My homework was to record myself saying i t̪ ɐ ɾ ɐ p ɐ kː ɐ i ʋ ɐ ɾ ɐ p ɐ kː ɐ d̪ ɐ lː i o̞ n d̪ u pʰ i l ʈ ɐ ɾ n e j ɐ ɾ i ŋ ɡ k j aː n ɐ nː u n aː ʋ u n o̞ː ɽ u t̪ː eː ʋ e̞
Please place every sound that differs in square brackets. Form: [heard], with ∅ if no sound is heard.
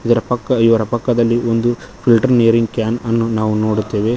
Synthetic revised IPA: i [d̪] ɐ ɾ ɐ p ɐ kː ɐ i ʋ ɐ ɾ ɐ p ɐ kː ɐ d̪ ɐ lː i o̞ n d̪ u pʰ i l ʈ ɐ ɾ n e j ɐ ɾ i ŋ ɡ k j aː n ɐ nː u n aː ʋ u n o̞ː ɽ u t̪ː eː ʋ e̞